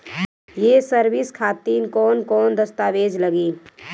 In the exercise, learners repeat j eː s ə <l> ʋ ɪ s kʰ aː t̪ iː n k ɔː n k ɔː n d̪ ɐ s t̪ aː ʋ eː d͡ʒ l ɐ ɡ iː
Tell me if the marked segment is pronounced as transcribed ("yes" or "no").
no